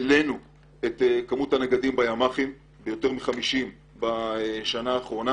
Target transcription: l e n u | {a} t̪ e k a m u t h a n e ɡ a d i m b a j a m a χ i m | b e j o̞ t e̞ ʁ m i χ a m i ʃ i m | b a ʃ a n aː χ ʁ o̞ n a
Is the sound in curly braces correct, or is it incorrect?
incorrect